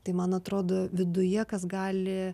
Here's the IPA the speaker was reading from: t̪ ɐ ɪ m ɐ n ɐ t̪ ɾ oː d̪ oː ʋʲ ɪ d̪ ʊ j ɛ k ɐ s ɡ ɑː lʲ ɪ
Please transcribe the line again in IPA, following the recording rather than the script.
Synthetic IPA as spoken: t̪ ɐ ɪ m ɐ n ɐ t̪ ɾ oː d̪ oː ʋʲ ɪ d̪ ʊ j ɛ k ɐ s ɡ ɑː lʲ ɪ